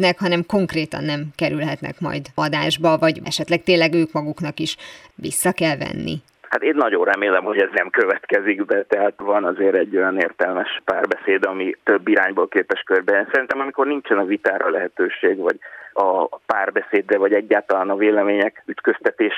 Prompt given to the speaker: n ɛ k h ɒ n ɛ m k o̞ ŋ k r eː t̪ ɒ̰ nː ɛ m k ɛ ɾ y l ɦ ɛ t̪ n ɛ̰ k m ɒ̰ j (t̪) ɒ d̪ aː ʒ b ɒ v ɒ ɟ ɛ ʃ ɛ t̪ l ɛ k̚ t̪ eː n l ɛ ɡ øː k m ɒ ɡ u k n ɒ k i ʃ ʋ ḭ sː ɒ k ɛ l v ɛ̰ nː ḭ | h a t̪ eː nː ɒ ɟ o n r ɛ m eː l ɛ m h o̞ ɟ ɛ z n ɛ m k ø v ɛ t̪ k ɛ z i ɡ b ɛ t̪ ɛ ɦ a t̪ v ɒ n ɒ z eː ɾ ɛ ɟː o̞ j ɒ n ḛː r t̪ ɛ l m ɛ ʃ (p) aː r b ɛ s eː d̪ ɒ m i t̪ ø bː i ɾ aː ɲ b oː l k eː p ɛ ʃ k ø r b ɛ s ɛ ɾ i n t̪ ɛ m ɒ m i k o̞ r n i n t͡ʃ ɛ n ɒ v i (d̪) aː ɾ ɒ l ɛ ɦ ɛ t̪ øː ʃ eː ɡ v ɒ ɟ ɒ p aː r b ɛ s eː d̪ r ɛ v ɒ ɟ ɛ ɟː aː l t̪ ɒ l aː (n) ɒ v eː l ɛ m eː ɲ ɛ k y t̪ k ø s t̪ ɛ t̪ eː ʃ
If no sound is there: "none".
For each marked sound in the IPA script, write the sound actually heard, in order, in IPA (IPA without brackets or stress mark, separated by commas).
d̪, p, t̪, n